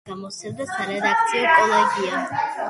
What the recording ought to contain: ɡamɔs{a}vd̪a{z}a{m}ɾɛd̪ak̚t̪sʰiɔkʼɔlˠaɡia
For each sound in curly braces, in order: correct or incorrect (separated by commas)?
incorrect, incorrect, incorrect